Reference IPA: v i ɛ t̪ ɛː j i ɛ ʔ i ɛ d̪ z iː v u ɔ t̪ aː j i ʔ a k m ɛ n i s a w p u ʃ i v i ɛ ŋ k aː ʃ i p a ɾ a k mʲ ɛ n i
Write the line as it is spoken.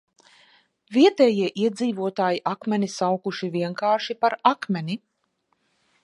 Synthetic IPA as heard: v i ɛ t̪ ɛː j i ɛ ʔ i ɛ d̪ z iː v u ɔ t̪ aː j i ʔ a k m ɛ n i s a w k u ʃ i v i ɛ ŋ k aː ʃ i p a ɾ a k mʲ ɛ n i

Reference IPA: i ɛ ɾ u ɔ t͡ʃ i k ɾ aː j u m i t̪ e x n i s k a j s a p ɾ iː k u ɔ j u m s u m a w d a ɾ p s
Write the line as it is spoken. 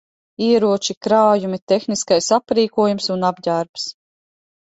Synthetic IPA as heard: i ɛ ɾ u ɔ t͡ʃ i k ɾ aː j u m i t̪ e x n i s k a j s a p ɾ iː k u ɔ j u m s u n a b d a ɾ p s

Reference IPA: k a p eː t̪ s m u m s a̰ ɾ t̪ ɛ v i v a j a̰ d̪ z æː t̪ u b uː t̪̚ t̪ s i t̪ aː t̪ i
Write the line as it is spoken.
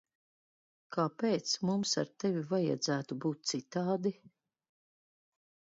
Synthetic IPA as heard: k a p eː t̪ s m u m s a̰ ɾ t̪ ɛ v i v a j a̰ d̪ z æː t̪ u b uː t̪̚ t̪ s i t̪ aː d̪ i

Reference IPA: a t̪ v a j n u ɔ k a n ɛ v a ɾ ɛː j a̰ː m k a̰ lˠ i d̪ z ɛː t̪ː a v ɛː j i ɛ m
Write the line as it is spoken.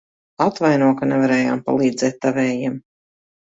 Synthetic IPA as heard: a t̪ v a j n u ɔ k a n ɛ v a ɾ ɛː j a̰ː m p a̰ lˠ iː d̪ z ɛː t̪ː a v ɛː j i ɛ m

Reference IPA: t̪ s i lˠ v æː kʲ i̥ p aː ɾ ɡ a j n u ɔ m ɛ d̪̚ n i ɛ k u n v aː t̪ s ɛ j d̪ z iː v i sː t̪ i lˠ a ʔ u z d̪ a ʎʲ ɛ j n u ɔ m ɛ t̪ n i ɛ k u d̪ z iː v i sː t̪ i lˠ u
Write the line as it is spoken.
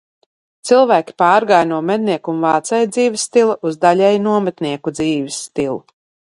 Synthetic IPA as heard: t̪ s i lˠ v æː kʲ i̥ p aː ɾ ɡ a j n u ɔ m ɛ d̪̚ n i ɛ k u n v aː t̪ s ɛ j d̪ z iː v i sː t̪ i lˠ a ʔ u z d̪ a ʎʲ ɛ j n u ɔ m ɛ t̪ n i ɛ k u d̪ z iː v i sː t̪ i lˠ u

